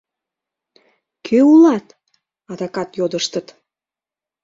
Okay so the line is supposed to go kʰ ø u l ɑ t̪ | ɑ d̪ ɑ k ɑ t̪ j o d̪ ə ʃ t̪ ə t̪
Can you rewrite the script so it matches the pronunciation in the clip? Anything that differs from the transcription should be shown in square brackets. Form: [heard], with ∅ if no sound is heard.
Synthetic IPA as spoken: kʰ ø u l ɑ t̪ | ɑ d̪ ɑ k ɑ t̪ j o d̪ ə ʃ t̪ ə t̪